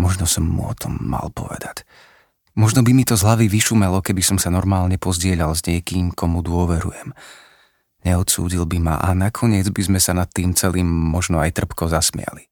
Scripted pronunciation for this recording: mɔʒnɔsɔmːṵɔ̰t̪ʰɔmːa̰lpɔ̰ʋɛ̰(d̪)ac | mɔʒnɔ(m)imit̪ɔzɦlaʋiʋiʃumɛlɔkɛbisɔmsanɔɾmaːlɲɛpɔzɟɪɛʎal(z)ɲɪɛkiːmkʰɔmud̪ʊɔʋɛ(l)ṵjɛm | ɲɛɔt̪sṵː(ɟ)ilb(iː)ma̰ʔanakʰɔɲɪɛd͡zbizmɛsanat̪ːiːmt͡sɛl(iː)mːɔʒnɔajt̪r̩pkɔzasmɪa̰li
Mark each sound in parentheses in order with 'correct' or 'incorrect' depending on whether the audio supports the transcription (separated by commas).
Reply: correct, incorrect, correct, incorrect, correct, incorrect, correct